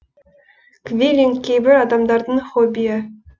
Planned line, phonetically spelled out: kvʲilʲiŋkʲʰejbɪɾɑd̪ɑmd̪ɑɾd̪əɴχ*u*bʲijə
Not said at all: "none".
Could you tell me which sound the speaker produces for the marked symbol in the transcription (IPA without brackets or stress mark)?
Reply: o